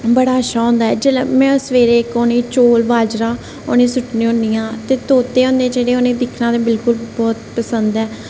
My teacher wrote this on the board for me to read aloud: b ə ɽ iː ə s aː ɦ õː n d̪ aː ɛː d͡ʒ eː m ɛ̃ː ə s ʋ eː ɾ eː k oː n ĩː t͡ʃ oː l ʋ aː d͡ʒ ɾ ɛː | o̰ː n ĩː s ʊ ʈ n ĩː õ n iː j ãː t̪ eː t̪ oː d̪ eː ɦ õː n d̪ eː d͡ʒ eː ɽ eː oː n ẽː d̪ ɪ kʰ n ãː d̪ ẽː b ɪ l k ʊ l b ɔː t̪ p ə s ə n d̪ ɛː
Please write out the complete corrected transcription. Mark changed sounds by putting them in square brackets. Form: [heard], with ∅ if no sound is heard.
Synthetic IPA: b ə ɽ [aː] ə [ʃ] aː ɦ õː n d̪ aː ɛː d͡ʒ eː m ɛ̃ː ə s ʋ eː ɾ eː k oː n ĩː t͡ʃ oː l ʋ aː d͡ʒ ɾ [aː] | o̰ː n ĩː s ʊ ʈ n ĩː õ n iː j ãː t̪ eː t̪ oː [t̪] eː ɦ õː n d̪ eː d͡ʒ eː ɽ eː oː n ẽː d̪ ɪ kʰ n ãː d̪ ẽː b ɪ l k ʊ l b ɔː t̪ p ə s ə n d̪ ɛː